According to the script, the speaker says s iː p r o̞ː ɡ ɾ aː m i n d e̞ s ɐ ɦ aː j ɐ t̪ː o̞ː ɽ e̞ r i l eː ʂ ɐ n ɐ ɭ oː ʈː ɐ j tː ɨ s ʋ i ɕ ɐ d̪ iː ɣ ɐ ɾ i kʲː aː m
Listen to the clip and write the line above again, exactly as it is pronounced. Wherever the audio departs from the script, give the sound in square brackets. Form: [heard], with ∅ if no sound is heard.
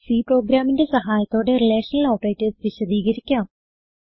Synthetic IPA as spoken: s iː p r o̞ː ɡ ɾ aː m i n d e̞ s ɐ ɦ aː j ɐ t̪ː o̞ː ɽ e̞ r i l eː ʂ ɐ n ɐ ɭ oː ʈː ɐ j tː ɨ s ʋ i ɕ ɐ d̪ iː ɣ ɐ ɾ i kʲː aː m